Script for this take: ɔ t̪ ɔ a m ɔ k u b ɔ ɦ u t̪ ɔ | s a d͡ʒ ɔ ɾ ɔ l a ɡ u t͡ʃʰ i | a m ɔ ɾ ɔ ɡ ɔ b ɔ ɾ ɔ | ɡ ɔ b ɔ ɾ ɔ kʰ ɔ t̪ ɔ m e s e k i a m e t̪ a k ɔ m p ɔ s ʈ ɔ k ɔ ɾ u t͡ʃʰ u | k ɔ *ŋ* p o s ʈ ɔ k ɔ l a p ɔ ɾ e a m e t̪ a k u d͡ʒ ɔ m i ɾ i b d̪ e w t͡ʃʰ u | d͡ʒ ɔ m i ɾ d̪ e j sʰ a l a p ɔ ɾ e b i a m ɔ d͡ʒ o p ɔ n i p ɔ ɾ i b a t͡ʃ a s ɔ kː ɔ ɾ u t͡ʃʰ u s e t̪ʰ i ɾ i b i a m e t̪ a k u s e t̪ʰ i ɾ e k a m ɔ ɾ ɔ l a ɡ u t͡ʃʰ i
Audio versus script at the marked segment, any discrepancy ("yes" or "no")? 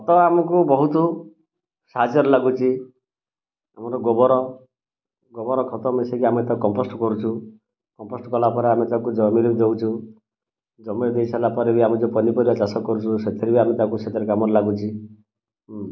yes